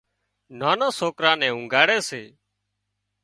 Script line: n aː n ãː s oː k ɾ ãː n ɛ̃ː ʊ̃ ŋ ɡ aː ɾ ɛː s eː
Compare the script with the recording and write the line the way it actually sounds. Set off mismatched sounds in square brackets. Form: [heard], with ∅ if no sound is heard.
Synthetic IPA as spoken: n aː n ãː s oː k ɾ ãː n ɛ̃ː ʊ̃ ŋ ɡ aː [ɽ] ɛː s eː